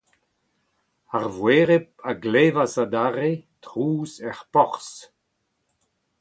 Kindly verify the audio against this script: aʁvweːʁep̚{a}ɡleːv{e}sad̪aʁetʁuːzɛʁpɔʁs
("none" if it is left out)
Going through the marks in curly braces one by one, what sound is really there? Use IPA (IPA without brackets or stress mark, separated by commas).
a, a